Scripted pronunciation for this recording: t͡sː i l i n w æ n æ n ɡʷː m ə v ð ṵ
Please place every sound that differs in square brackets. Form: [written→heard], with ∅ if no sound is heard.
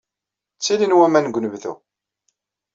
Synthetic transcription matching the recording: t͡sː i l i n w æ [n→m] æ n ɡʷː [m→n] ə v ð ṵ